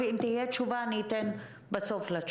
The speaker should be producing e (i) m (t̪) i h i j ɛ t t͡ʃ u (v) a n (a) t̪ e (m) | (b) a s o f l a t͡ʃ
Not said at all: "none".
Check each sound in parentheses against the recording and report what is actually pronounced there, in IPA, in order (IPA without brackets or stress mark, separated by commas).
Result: i, t̪, v, i, n, b